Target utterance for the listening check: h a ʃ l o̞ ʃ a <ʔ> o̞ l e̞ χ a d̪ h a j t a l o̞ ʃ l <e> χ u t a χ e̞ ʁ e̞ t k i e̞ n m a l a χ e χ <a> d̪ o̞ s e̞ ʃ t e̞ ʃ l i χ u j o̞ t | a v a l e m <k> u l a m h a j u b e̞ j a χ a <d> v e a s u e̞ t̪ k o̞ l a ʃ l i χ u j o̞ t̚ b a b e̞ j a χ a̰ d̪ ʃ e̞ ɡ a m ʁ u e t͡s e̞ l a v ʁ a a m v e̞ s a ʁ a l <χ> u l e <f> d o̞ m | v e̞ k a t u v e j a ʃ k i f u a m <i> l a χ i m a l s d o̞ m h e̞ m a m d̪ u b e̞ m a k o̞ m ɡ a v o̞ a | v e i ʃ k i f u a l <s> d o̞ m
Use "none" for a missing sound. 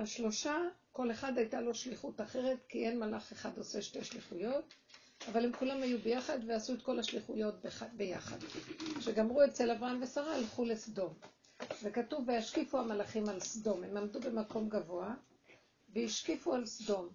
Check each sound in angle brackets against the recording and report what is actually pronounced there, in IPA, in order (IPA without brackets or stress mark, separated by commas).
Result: k, i, a, k, d, χ, s, a, s